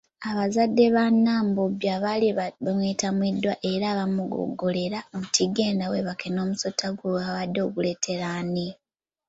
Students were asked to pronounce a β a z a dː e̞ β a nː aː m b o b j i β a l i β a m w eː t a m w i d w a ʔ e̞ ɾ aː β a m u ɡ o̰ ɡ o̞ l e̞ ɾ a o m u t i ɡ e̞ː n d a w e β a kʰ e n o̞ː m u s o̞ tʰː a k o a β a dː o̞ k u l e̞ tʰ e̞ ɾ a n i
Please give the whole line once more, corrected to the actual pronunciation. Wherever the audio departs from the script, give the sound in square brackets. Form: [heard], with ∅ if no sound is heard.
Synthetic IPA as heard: a β a z a dː e̞ β a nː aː m b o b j [a] β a l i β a m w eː t a m w i d w a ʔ e̞ ɾ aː β a m u ɡ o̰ ɡ o̞ l e̞ ɾ a o m u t i ɡ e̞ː n d a w e β a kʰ e n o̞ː m u s o̞ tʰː a [ɡ] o a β a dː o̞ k u l e̞ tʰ e̞ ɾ a n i